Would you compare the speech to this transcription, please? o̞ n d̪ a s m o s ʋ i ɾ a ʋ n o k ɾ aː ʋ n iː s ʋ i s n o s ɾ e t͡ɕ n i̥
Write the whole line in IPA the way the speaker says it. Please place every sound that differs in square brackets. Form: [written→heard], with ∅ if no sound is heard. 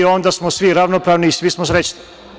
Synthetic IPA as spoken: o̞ n d̪ a s m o s ʋ i ɾ a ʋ n o [k→p] ɾ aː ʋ n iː s ʋ i s [n→m] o s ɾ e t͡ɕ n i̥